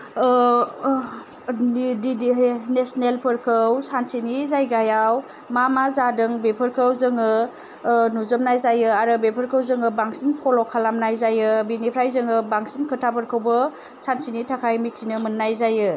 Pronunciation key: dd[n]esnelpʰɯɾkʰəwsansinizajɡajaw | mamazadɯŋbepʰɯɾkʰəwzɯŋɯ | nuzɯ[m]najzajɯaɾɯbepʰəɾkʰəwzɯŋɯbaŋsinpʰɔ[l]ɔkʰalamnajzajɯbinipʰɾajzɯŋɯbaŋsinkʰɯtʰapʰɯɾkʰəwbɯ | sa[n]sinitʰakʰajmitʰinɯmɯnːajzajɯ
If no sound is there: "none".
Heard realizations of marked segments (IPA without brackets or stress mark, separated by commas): n, m, l, n